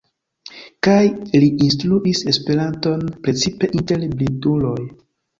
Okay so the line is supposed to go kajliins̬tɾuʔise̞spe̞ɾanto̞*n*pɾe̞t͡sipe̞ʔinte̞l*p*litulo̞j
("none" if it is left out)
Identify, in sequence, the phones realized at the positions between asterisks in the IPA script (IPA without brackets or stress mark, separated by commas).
n, b